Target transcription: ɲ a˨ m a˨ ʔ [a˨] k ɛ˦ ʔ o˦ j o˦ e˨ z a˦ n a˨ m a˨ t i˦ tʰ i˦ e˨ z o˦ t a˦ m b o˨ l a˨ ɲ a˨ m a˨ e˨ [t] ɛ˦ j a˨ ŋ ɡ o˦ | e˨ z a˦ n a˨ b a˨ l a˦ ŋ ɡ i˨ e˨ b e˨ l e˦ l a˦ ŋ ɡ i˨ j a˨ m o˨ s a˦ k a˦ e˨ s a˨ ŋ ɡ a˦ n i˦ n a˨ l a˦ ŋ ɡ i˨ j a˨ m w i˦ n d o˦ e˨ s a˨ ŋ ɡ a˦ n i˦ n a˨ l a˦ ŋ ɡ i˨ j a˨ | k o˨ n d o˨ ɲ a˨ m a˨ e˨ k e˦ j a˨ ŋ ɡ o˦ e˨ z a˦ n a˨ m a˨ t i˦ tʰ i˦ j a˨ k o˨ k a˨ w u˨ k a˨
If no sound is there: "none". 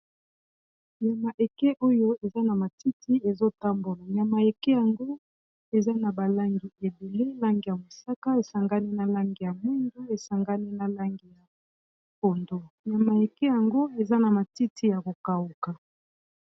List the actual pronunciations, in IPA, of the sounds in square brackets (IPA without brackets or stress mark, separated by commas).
e˨, k